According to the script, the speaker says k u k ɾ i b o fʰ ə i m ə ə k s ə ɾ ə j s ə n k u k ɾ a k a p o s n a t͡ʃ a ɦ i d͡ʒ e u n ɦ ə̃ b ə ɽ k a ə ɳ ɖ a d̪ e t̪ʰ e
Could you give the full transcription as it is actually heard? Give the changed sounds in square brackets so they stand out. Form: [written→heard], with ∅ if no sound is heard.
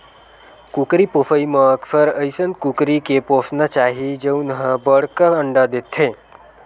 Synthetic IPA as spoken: k u k ɾ i [b→p] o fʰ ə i m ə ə k s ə ɾ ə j s ə n k u k ɾ [a→i] k [a→e] p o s n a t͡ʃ a ɦ i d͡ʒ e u n ɦ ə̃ b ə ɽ k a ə ɳ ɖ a d̪ e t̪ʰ e